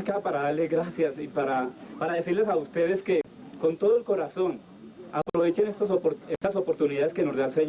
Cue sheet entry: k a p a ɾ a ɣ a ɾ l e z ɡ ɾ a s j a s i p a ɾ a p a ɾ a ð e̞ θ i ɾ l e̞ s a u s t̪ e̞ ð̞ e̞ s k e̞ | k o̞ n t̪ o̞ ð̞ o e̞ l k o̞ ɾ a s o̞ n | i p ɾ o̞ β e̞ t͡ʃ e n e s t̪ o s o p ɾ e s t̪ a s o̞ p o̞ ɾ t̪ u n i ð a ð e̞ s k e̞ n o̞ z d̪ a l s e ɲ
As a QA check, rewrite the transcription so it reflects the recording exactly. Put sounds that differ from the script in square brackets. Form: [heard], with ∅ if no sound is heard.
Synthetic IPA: k a p a ɾ a [ð] a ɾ l e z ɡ ɾ a s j a s i p a ɾ a p a ɾ a ð e̞ [s] i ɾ l e̞ s a u s t̪ e̞ ð̞ e̞ s k e̞ | k o̞ n t̪ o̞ ð̞ o e̞ l k o̞ ɾ a s o̞ n | [a] p ɾ o̞ β e̞ t͡ʃ e n e s t̪ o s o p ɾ e s t̪ a s o̞ p o̞ ɾ t̪ u n i ð a ð e̞ s k e̞ n o̞ z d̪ a l s e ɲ